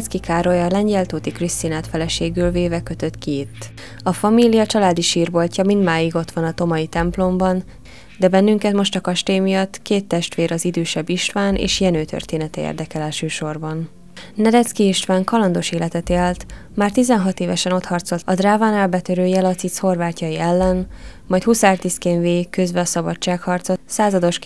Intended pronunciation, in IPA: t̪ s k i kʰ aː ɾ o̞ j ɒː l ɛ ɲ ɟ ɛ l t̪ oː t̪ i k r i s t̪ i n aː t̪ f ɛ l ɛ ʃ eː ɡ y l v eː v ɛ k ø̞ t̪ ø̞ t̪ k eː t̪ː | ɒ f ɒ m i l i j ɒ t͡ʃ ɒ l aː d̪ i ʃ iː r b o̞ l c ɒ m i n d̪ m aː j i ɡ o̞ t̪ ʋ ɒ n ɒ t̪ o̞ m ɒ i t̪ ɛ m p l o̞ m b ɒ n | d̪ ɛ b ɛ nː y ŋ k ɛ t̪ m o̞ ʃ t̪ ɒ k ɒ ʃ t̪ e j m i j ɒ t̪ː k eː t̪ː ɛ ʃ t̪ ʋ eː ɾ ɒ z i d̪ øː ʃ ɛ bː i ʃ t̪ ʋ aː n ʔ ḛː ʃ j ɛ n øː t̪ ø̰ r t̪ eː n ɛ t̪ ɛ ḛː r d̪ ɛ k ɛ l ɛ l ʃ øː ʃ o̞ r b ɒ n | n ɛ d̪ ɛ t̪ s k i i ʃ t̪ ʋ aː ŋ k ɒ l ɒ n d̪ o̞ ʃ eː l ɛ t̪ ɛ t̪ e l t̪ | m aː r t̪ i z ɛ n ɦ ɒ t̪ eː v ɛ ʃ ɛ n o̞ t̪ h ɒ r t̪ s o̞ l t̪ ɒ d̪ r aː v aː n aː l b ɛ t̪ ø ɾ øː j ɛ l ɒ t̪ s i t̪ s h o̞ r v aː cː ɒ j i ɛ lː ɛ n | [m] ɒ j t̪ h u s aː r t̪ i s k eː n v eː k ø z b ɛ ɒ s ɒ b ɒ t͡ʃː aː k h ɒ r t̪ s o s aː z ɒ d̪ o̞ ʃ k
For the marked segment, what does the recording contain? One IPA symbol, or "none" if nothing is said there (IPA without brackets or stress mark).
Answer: m